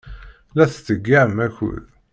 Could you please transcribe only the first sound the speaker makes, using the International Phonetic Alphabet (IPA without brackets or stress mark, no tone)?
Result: l